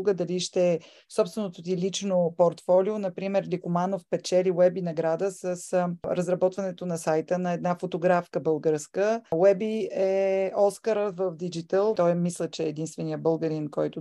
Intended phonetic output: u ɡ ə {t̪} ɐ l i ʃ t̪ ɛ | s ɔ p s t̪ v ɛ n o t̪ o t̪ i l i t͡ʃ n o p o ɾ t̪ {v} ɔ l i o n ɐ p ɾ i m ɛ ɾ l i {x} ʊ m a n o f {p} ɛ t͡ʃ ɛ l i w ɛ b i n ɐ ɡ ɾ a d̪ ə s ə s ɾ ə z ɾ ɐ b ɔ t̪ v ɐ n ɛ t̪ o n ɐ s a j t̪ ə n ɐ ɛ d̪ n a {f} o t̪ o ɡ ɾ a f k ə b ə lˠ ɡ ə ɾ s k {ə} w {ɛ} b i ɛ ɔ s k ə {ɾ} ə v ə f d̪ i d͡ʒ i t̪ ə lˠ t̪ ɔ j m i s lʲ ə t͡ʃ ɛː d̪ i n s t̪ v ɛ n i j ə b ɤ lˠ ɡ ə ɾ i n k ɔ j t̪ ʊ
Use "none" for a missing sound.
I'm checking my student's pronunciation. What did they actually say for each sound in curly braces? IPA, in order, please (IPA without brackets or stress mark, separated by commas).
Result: d̪, f, k, p, f, ə, ɛ, ɾ